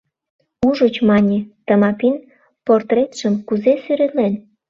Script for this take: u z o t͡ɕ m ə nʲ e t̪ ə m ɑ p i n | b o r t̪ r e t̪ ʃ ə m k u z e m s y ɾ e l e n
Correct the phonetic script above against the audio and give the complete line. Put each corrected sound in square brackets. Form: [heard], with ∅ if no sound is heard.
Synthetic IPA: u [ʒ] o t͡ɕ m [ɑ] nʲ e t̪ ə m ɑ p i n | [p] o r t̪ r e t̪ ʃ ə m k u z e [∅] s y ɾ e l e n

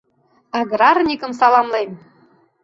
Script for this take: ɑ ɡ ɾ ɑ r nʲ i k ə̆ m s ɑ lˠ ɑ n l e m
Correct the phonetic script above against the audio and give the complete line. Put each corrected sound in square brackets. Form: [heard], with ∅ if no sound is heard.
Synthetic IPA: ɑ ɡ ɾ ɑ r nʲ i k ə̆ m s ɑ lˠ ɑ [m] l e m

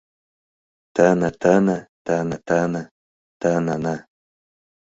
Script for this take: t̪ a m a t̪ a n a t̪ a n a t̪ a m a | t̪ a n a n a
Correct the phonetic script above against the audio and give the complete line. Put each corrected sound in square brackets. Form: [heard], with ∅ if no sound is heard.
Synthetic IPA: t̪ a [n] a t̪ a n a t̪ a n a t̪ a [n] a | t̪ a n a n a

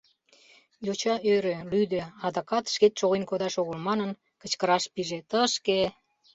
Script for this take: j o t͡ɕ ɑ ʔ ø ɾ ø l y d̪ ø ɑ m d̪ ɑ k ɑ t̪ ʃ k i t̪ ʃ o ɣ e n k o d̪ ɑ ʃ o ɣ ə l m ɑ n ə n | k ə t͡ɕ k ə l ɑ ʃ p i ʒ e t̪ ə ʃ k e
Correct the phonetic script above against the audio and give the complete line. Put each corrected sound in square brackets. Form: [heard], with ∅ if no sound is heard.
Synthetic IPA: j o t͡ɕ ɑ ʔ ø ɾ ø l y d̪ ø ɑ [∅] d̪ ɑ k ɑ t̪ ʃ k [e] t̪ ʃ o ɣ e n k o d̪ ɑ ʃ o ɣ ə l m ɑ n ə n | k ə t͡ɕ k ə [ɾ] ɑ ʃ p i ʒ e t̪ ə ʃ k e

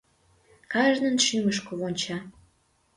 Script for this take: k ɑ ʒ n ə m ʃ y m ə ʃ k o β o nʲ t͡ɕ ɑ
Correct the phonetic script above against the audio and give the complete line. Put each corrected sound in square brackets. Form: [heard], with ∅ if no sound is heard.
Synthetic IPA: k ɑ ʒ n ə [n] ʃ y m ə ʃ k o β o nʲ t͡ɕ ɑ

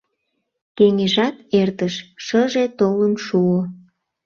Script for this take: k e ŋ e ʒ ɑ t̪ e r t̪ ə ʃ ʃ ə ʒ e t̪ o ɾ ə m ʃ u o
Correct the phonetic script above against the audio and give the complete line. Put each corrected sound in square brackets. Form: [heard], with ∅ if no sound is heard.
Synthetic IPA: k e ŋ e ʒ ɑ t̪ e r t̪ ə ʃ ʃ ə ʒ e t̪ o [l] ə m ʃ u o

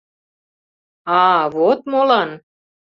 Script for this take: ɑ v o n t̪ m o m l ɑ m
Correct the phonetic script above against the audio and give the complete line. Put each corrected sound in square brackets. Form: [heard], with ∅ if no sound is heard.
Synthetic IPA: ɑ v o [∅] t̪ m o [∅] l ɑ [n]

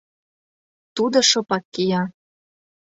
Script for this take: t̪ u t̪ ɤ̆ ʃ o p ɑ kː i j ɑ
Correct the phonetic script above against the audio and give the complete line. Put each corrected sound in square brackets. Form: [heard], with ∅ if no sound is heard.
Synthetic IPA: t̪ u [d̪] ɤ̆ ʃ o p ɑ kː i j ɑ

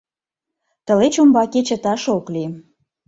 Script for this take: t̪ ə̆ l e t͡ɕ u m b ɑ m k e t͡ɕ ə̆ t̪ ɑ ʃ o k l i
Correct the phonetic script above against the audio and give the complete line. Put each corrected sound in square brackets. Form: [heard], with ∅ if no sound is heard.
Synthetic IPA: t̪ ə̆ l e t͡ɕ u m b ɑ [∅] k e t͡ɕ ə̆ t̪ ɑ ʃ o k l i

